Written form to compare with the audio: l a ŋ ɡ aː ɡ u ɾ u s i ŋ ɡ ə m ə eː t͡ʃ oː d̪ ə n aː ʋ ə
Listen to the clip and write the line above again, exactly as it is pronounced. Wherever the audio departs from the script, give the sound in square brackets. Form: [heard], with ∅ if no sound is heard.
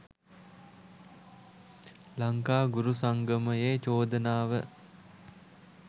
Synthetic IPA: l a ŋ [k] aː ɡ u ɾ u s [a] ŋ ɡ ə m ə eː t͡ʃ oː d̪ ə n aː ʋ ə